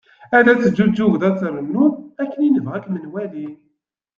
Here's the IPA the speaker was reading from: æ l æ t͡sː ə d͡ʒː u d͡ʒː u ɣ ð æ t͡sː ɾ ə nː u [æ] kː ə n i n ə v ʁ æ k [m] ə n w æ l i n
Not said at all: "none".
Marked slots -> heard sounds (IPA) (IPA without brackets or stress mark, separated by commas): æ, m